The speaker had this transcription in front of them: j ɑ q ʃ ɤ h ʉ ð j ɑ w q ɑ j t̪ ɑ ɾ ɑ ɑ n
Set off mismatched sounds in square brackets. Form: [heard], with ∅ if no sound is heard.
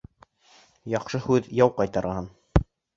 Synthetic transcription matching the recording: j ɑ q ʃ ɤ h ʉ ð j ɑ w q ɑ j t̪ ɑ ɾ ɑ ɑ n